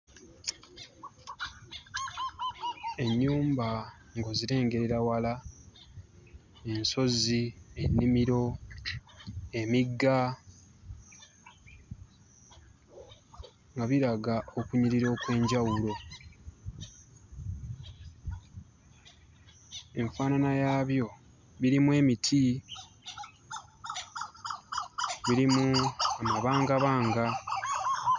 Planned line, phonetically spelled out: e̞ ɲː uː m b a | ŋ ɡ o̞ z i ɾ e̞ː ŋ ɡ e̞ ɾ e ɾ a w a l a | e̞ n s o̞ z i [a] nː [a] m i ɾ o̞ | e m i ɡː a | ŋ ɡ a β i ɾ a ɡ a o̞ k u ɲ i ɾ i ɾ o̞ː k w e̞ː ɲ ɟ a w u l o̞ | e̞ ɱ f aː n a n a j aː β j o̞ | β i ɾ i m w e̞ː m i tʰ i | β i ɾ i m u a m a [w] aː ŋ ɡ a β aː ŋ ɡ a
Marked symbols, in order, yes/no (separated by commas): no, no, no